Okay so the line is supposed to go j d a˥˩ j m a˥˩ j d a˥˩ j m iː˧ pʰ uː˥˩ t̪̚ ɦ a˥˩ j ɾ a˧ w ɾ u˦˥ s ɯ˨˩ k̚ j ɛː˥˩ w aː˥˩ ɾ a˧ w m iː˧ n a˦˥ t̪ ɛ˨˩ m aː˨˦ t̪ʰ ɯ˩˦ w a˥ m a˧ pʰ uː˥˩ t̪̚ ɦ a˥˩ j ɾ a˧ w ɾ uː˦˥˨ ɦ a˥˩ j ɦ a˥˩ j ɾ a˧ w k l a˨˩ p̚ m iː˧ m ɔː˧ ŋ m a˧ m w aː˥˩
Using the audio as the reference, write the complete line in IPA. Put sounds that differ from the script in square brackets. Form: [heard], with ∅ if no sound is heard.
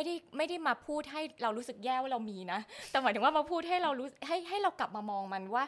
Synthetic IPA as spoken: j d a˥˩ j m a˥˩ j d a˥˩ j m [aː˧] pʰ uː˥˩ t̪̚ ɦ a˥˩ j ɾ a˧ w ɾ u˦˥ s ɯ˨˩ k̚ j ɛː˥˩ w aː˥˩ ɾ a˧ w m iː˧ n a˦˥ t̪ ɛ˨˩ m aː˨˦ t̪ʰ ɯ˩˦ w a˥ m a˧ pʰ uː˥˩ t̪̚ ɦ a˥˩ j ɾ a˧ w ɾ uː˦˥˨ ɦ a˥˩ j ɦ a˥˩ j ɾ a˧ w k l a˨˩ p̚ m [aː˧] m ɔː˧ ŋ m a˧ [n] w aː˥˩